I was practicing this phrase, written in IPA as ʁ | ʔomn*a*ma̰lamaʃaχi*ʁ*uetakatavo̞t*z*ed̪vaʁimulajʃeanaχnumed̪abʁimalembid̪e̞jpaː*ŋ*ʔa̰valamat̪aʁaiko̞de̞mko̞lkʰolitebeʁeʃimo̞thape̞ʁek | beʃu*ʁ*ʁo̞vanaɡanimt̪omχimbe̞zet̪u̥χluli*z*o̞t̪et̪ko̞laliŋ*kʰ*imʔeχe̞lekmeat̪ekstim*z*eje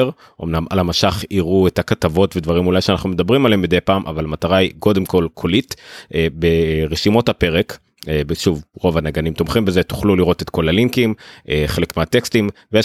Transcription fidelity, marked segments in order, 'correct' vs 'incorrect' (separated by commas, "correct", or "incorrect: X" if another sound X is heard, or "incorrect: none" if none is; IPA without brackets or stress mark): correct, correct, incorrect: v, incorrect: m, incorrect: v, incorrect: ʁ, incorrect: k, incorrect: v